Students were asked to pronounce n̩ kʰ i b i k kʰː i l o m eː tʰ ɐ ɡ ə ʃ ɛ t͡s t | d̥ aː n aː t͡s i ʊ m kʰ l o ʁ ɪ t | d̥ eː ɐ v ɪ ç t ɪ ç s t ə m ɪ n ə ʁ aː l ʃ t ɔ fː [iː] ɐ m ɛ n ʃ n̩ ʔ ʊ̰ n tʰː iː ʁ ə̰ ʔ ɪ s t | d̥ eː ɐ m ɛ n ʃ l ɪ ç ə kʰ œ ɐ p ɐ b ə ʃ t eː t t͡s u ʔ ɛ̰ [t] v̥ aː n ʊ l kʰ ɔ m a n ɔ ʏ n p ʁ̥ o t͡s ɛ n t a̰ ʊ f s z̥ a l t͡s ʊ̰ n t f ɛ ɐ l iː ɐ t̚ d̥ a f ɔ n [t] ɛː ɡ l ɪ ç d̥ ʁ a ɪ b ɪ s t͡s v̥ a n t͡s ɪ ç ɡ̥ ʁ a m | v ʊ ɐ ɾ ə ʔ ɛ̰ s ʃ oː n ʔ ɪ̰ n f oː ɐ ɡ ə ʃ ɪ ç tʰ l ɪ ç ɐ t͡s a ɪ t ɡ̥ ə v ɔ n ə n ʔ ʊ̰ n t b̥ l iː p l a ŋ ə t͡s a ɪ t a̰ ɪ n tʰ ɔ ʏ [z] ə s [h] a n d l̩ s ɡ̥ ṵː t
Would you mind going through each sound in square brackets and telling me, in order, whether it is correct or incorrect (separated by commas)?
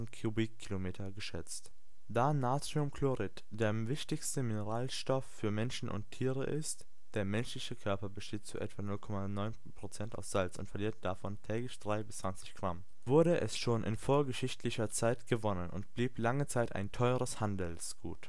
incorrect, correct, incorrect, incorrect, correct